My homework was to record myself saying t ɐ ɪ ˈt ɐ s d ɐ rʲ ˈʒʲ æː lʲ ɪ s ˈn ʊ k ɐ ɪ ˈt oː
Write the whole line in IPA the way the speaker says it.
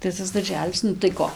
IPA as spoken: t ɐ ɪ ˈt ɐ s d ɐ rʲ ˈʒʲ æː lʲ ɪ s ˈn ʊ t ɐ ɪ ˈk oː